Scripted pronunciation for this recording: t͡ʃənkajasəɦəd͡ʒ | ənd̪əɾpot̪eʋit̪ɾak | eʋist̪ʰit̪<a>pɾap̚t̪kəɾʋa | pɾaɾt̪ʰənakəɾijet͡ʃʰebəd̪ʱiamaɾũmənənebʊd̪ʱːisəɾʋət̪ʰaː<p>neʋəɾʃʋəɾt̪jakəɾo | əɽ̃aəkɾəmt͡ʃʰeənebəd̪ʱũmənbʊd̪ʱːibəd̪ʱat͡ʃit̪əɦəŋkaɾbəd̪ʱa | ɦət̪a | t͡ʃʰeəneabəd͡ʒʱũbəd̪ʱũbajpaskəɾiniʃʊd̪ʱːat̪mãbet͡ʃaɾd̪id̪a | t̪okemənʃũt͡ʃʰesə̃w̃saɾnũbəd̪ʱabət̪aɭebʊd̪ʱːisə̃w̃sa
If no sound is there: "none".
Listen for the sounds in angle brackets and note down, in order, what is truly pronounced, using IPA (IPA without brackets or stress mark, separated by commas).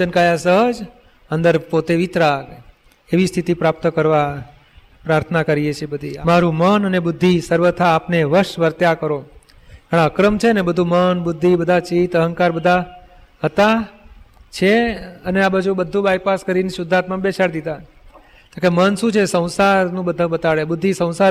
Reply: i, p